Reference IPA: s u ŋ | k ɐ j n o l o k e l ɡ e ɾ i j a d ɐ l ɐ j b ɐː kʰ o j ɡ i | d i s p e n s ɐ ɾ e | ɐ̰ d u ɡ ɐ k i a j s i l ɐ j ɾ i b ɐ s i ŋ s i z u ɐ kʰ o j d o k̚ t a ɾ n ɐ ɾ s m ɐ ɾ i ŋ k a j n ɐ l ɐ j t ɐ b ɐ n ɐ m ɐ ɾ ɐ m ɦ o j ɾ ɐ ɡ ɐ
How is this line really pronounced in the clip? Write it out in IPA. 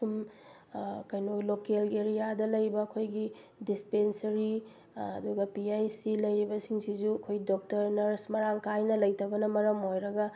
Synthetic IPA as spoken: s u m | k ɐ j n o l o k e l ɡ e ɾ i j a d ɐ l ɐ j b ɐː kʰ o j ɡ i | d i s p e n s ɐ ɾ i | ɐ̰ d u ɡ ɐ p i a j s i l ɐ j ɾ i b ɐ s i ŋ s i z u ɐ kʰ o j d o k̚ t ɐ ɾ n ɐ ɾ s m ɐ ɾ a ŋ k a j n ɐ l ɐ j t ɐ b ɐ n ɐ m ɐ ɾ ɐ m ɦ o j ɾ ɐ ɡ ɐ